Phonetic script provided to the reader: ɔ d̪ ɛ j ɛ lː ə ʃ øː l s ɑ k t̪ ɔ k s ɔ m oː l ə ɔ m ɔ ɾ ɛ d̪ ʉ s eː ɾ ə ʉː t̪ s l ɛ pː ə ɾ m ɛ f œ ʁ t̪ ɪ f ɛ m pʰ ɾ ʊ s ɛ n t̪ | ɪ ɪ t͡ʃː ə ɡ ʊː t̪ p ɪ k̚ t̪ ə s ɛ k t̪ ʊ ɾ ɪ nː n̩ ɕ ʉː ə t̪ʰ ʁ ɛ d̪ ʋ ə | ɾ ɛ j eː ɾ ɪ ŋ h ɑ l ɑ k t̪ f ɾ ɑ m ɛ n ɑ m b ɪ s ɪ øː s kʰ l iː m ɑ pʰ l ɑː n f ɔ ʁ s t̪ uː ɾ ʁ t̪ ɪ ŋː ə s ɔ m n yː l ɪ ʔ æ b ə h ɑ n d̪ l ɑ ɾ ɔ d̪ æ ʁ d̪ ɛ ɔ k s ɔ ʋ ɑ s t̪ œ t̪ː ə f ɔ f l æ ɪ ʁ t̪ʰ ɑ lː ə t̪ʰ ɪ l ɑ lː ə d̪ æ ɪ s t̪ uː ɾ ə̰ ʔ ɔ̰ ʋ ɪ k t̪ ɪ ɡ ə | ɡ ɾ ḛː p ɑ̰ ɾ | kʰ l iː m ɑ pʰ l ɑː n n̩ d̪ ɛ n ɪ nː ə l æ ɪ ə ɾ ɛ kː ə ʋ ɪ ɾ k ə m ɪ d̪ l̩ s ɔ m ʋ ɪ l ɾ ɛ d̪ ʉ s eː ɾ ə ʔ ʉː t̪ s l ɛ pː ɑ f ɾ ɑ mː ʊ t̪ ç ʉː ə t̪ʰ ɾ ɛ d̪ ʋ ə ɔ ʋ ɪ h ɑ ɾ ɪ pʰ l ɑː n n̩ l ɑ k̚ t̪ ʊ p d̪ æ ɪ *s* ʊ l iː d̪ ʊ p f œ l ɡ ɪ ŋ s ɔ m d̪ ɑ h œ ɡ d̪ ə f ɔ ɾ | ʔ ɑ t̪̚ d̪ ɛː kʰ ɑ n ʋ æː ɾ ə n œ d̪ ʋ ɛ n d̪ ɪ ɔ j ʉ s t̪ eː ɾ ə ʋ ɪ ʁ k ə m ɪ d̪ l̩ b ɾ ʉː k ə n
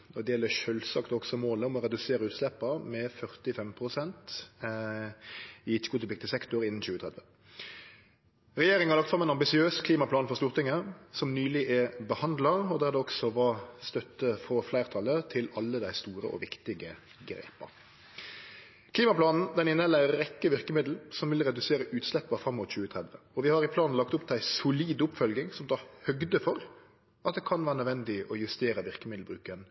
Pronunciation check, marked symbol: correct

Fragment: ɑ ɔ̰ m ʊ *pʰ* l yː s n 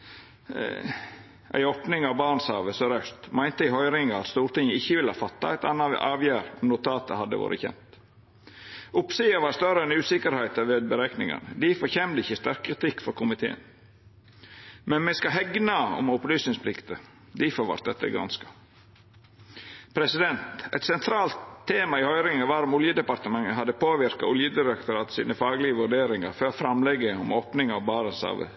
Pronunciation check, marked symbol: incorrect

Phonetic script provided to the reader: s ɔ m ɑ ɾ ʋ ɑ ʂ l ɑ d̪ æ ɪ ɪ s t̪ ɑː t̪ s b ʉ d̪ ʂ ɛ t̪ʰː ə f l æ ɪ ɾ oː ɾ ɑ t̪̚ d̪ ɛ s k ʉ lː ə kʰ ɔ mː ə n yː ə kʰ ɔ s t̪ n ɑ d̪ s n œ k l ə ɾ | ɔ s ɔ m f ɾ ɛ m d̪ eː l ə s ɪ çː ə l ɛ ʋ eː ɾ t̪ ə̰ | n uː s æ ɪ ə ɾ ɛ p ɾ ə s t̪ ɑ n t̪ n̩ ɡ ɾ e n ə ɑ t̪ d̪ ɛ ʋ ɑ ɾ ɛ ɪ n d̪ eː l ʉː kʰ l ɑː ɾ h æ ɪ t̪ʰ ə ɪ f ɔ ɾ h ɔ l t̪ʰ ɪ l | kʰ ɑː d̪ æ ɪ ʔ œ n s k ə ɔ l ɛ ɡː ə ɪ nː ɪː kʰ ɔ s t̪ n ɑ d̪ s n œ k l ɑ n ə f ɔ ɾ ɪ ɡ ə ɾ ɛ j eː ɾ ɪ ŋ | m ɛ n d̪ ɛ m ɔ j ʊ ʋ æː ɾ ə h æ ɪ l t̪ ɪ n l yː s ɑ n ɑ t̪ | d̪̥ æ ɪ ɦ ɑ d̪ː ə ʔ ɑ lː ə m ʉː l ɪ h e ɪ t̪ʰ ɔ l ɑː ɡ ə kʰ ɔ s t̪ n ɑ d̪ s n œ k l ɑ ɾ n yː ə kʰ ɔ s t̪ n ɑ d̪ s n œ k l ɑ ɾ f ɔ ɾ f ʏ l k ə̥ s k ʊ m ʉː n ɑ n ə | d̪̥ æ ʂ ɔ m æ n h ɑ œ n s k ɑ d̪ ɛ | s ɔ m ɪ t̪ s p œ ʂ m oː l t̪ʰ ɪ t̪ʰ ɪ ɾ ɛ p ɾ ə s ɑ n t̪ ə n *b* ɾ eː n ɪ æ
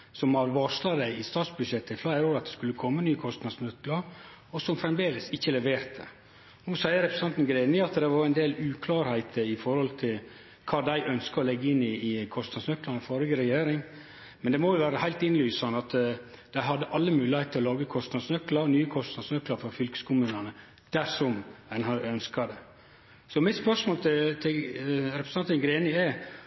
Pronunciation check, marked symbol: incorrect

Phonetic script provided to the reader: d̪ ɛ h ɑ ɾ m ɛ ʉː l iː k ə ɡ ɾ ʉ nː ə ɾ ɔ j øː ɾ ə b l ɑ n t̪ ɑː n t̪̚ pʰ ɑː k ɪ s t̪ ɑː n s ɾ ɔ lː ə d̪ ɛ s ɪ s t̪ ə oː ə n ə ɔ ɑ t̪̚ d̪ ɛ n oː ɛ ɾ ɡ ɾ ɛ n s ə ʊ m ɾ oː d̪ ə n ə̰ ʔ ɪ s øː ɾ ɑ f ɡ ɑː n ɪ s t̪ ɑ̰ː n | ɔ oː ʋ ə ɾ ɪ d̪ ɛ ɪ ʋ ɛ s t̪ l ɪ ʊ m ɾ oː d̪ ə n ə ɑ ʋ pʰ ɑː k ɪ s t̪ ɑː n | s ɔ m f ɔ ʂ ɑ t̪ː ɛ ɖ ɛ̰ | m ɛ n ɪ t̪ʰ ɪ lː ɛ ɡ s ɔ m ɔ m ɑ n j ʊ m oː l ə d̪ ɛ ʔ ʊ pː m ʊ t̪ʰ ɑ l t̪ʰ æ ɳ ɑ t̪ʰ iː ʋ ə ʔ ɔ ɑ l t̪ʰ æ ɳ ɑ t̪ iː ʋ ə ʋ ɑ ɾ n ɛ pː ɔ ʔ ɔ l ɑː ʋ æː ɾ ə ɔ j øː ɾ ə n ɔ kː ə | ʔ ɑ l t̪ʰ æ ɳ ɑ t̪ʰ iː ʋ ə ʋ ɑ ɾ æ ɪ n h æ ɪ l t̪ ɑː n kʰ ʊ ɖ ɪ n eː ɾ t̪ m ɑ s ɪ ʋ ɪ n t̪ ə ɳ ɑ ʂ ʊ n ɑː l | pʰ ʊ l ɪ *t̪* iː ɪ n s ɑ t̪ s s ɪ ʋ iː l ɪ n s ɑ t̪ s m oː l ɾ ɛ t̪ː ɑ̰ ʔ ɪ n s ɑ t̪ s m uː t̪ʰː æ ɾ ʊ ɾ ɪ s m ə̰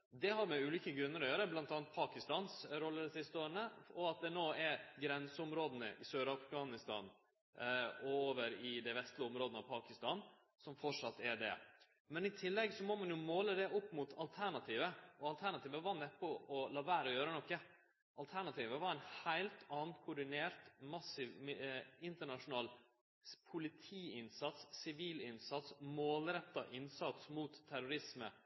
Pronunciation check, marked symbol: incorrect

